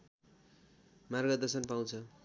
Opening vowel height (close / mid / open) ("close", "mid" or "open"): open